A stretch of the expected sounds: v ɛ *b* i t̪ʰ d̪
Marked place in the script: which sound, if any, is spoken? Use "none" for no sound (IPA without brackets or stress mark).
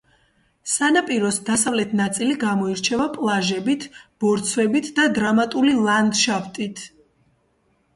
b